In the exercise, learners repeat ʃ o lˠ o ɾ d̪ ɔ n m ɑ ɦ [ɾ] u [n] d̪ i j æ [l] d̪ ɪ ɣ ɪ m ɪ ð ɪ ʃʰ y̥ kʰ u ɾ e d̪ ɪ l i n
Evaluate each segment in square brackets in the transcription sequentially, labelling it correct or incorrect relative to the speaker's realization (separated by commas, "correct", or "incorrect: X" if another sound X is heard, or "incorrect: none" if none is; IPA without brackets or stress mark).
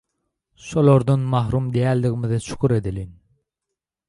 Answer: correct, incorrect: m, correct